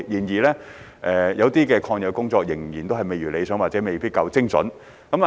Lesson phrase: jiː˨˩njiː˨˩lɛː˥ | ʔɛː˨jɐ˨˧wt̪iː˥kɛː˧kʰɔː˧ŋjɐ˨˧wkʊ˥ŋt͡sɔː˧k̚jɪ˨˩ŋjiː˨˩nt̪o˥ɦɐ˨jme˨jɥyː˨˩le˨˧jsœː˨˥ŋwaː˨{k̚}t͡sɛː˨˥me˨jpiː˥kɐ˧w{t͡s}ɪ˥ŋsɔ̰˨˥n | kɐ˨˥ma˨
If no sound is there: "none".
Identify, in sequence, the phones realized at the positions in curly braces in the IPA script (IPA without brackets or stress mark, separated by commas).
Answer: t̚, t͡s